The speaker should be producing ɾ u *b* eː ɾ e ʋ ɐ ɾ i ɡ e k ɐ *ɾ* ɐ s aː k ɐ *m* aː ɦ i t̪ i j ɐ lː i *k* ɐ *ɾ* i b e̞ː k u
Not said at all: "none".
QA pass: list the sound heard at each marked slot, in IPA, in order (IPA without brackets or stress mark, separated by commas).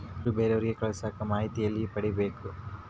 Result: b, ɭ, m, p, ɽ